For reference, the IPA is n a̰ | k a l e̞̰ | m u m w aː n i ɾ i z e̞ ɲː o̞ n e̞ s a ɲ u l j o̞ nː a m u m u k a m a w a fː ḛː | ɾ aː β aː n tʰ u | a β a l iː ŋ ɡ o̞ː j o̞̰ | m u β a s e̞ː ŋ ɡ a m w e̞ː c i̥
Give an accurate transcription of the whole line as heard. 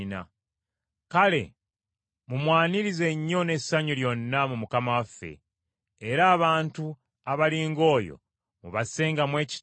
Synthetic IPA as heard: n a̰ | k a l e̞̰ | m u m w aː n i ɾ i z e̞ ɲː o̞ n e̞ s a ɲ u l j o̞ nː a m u m u k a m a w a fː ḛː | ɾ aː β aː n t u | a β a l iː ŋ ɡ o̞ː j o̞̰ | m u β a s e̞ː ŋ ɡ a m w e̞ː c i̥